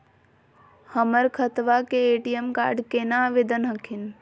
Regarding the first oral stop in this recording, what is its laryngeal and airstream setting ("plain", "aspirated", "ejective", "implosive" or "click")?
aspirated